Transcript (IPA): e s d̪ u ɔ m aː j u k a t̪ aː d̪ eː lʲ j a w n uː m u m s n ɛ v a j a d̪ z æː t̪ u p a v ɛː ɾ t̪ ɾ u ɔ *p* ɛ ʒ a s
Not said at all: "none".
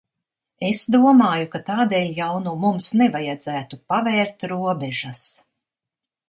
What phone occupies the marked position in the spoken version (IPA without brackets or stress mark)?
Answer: b